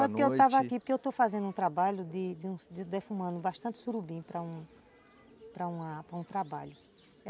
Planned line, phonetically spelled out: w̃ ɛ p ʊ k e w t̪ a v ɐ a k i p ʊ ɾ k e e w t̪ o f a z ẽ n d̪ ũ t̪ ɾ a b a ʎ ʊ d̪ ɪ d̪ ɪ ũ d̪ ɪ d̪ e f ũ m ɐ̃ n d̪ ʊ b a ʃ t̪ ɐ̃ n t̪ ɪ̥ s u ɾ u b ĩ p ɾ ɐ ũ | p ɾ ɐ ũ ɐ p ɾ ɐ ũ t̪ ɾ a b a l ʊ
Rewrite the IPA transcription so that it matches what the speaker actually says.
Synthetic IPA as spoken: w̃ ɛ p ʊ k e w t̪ a v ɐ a k i p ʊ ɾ k e e w t̪ o f a z ẽ n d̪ ũ t̪ ɾ a b a ʎ ʊ d̪ ɪ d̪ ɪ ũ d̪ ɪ d̪ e f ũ m ɐ̃ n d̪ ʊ b a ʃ t̪ ɐ̃ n t̪ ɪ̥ s u ɾ u b ĩ p ɾ ɐ ũ | p ɾ ɐ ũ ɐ p ɾ ɐ ũ t̪ ɾ a b a ʎ ʊ